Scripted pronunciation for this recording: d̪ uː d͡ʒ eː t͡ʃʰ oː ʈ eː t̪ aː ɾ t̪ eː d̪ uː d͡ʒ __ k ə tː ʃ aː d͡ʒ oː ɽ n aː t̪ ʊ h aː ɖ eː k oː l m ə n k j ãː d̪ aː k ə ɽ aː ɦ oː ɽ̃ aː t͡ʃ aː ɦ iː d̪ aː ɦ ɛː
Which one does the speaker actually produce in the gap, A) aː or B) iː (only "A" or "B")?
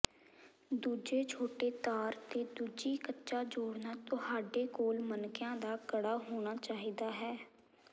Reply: B